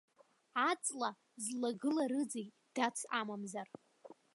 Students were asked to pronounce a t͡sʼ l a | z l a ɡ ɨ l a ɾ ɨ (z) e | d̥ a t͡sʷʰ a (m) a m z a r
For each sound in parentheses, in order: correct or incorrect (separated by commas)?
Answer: incorrect, correct